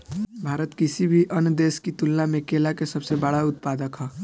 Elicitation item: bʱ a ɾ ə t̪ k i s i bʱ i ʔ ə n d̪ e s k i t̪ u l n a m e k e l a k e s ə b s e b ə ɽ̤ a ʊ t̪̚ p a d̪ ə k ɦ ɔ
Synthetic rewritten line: bʱ a ɾ ə t̪ k i s i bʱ i ʔ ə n d̪ e s k i t̪ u l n a m e k e l a k e s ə b s e b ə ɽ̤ a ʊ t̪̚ p a d̪ ə k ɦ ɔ